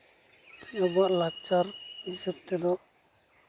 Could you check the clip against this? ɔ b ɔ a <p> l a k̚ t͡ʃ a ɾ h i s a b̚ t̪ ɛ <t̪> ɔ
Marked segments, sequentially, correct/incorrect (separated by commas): incorrect, incorrect